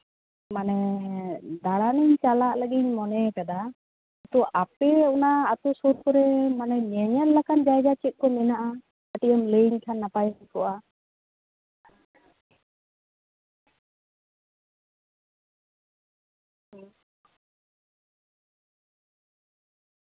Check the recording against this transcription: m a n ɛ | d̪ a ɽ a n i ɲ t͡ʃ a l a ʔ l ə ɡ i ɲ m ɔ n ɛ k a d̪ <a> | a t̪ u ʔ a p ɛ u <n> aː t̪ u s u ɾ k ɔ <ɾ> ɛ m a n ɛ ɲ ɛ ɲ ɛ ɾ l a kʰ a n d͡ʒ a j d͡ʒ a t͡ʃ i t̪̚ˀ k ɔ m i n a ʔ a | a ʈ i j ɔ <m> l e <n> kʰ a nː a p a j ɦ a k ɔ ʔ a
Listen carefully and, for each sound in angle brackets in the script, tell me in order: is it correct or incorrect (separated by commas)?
correct, correct, correct, correct, incorrect